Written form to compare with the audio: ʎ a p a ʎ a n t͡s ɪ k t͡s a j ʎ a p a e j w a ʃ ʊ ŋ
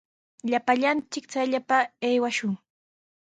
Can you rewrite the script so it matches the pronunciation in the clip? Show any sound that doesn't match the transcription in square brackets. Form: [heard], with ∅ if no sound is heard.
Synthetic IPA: ʎ a p a ʎ a n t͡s ɪ k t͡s a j ʎ a p a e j w a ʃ ʊ ŋ